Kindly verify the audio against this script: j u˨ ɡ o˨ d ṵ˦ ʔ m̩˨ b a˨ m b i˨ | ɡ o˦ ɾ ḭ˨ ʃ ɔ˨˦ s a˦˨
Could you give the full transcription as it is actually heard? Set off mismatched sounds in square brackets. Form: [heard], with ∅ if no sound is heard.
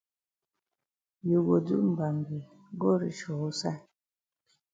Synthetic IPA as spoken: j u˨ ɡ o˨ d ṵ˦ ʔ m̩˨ b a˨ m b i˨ | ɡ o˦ ɾ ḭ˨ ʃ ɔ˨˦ s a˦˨